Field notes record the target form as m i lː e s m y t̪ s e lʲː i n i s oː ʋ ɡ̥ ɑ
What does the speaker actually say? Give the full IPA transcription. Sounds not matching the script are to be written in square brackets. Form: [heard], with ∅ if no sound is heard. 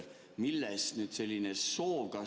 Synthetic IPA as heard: m i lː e s [n] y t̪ s e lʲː i n [e] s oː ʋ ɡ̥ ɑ